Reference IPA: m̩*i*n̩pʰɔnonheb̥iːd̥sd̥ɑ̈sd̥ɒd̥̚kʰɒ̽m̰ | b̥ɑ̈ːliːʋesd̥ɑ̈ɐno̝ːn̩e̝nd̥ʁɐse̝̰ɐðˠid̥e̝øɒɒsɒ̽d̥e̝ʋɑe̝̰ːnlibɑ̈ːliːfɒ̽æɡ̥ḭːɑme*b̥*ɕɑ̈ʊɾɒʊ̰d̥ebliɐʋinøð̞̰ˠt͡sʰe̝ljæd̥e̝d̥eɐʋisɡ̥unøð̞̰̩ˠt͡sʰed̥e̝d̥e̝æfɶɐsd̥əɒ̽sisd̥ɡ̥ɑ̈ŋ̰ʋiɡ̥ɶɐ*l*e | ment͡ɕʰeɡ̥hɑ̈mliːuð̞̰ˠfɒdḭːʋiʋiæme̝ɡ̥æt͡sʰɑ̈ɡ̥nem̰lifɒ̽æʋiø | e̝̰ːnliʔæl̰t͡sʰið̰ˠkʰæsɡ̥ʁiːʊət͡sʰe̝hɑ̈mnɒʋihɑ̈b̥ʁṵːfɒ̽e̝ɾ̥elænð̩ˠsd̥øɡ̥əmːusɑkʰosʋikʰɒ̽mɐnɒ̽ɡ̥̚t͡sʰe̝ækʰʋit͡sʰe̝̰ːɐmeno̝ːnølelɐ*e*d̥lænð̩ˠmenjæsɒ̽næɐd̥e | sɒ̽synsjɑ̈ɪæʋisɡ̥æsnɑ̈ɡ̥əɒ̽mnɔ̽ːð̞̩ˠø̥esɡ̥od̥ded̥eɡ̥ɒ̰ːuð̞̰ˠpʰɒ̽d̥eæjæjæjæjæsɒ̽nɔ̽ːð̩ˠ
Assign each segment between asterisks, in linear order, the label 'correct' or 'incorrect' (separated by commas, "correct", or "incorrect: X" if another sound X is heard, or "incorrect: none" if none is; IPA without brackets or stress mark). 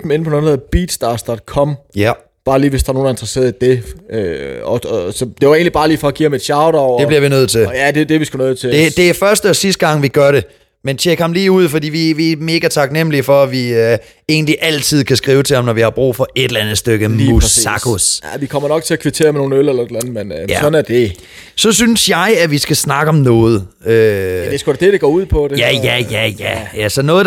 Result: incorrect: e, incorrect: d̥, incorrect: ɾ, correct